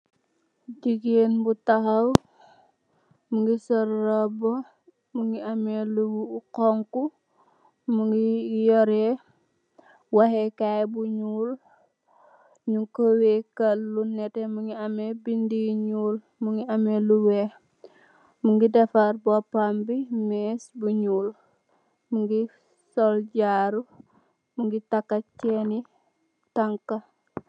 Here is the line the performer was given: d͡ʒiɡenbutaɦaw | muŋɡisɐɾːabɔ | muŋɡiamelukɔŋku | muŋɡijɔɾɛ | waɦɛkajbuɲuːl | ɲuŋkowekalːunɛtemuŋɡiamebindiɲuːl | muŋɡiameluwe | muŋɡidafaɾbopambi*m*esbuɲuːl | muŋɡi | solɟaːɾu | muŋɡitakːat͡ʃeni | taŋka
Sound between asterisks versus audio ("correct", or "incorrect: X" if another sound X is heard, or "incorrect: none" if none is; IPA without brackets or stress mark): correct